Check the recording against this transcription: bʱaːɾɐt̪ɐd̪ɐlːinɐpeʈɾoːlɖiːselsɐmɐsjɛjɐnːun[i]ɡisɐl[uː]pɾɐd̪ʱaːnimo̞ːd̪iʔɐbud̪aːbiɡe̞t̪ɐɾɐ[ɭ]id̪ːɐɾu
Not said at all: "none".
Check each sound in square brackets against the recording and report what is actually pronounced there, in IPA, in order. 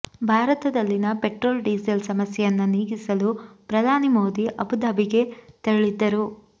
iː, u, ɭ

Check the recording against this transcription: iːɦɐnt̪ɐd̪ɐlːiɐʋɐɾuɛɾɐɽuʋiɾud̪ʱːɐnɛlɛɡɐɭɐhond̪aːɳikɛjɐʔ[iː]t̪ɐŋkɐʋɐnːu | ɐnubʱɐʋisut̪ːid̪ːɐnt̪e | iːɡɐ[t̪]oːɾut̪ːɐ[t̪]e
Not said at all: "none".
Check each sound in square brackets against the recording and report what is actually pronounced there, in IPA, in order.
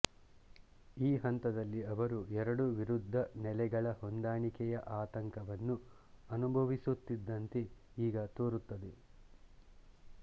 aː, t̪, d̪

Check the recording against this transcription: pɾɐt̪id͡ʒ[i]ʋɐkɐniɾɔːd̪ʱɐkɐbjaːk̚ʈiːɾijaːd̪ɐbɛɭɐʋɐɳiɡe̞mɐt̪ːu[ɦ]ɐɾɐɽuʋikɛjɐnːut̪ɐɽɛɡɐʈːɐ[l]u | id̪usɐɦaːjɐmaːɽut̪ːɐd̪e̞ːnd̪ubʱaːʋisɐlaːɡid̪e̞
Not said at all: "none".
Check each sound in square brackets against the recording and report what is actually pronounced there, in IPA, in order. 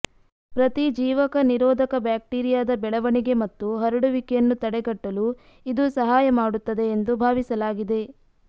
iː, ɦ, l

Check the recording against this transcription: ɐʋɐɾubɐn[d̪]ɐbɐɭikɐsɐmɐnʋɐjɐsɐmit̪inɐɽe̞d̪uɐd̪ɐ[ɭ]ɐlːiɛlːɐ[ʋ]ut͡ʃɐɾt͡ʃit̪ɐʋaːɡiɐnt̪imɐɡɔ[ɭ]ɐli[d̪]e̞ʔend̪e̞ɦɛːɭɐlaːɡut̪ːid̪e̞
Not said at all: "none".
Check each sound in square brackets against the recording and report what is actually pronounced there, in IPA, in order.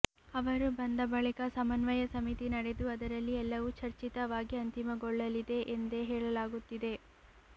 d̪, ɾ, ʋ, ɭː, d̪

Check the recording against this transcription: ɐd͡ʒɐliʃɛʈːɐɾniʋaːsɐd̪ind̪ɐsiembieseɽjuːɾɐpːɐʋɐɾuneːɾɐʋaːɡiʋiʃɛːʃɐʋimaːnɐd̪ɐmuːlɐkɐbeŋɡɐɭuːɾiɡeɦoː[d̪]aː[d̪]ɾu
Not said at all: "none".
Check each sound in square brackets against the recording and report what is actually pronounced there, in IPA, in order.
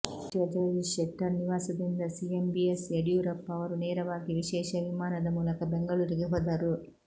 d̪, none

